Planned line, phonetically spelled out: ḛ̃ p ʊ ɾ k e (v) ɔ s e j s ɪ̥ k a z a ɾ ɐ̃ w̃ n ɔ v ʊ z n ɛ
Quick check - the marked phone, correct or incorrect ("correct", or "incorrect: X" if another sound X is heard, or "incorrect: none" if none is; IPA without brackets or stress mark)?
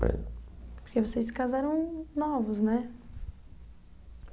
correct